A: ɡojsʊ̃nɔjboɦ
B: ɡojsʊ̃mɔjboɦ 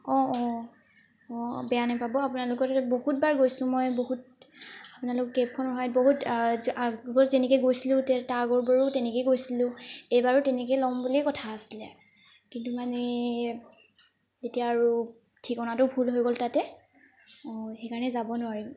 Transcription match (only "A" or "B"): B